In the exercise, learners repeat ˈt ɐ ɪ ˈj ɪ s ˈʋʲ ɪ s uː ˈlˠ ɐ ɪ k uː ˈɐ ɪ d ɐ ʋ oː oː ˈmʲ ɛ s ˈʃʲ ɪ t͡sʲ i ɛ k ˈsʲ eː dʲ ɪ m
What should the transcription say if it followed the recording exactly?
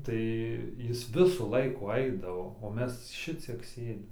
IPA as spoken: ˈt ɐ ɪ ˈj ɪ s ˈʋʲ ɪ s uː ˈlˠ ɐ ɪ k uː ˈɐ ɪ d ɐ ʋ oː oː ˈmʲ ɛ s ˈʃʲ ɪ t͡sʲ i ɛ k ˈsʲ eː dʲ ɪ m